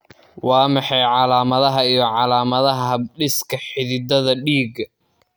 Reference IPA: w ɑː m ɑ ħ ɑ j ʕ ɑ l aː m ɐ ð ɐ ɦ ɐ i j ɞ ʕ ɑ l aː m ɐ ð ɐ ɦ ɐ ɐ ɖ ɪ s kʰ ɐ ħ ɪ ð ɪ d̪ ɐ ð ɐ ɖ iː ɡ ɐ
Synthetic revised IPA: w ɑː m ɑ ħ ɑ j ʕ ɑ l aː m ɐ ð ɐ ɦ ɐ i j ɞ ʕ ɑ l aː m ɐ ð ɐ ɦ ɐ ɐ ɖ ɪ s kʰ ɐ ħ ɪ ð ɪ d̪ ɐ ð ɐ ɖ iː ɡ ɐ